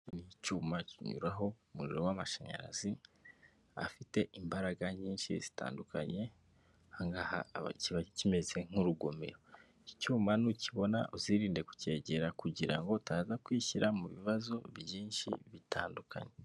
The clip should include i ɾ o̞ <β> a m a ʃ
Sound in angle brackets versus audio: incorrect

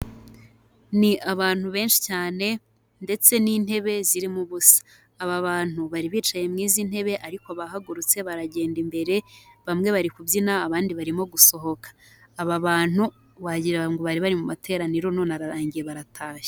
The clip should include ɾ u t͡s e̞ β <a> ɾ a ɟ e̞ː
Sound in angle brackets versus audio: correct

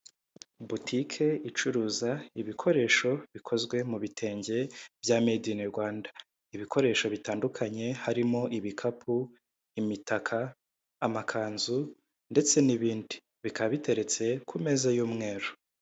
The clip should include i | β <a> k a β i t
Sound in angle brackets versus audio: incorrect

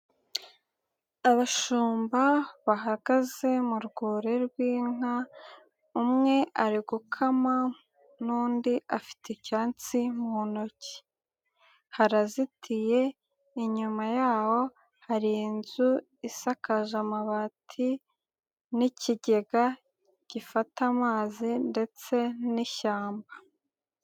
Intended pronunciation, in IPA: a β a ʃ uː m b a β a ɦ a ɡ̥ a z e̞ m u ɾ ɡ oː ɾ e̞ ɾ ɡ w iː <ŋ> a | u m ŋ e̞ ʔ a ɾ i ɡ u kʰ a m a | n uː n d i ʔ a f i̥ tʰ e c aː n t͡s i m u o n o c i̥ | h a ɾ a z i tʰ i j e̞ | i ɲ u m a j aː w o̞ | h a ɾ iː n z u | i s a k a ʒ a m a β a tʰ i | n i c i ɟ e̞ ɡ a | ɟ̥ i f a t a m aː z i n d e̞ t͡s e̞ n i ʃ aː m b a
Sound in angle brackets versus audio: correct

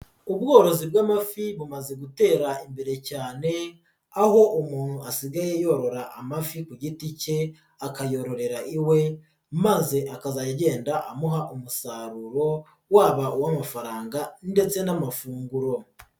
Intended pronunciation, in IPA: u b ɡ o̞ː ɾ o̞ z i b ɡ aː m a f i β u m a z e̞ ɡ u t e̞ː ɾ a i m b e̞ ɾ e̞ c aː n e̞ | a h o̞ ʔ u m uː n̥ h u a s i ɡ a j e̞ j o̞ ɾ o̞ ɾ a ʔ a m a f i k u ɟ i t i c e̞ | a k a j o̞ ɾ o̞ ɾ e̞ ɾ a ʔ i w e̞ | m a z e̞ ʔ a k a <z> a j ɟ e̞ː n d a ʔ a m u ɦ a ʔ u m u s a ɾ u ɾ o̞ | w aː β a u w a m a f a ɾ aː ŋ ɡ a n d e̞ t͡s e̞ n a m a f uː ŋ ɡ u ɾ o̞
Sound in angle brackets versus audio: correct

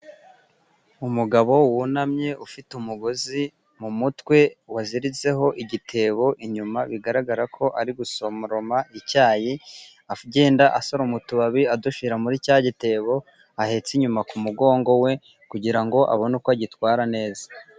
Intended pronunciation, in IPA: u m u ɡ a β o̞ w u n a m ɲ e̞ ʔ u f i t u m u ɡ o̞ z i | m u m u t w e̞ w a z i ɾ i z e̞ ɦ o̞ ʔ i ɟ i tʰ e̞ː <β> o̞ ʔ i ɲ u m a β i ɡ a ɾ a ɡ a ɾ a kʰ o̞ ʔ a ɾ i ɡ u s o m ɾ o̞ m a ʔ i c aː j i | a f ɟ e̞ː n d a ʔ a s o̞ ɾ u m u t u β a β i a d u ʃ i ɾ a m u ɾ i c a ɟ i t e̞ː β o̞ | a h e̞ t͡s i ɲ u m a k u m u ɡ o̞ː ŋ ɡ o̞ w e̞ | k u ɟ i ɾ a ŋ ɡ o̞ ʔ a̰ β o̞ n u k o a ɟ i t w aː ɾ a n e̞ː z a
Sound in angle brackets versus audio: correct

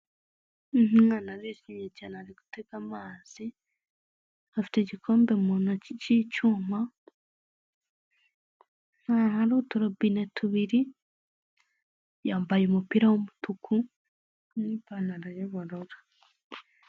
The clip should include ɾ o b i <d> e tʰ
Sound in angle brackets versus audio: incorrect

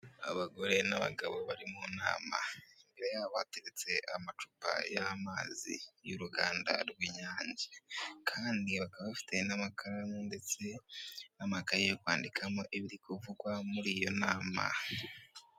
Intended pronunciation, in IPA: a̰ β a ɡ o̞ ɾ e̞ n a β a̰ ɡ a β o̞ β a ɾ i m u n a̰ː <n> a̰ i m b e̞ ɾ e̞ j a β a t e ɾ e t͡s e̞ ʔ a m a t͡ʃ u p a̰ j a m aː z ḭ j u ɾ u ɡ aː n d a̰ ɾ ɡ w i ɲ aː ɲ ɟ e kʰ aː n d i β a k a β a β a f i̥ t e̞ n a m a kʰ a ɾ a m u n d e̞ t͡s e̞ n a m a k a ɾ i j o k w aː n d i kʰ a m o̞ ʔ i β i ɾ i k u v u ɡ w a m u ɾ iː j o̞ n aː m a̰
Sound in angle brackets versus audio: incorrect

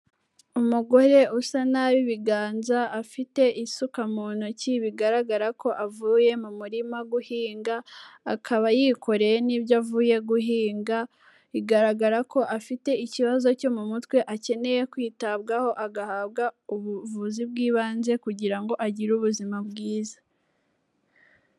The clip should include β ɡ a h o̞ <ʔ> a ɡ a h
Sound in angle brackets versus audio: correct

